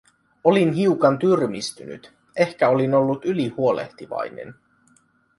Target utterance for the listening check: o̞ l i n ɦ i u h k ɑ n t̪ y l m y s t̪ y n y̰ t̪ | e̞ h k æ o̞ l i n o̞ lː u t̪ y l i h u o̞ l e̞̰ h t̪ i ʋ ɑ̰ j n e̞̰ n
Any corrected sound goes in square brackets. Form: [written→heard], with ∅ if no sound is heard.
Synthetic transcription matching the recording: o̞ l i n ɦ i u [h→∅] k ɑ n t̪ y [l→r] m [y→i] s t̪ y n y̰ t̪ | e̞ h k æ o̞ l i n o̞ lː u t̪ y l i h u o̞ l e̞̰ h t̪ i ʋ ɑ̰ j n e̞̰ n